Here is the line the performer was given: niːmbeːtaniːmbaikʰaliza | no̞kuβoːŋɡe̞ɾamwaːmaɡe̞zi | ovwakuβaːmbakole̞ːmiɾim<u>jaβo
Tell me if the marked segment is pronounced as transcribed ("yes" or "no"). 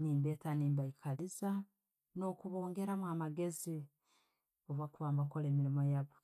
no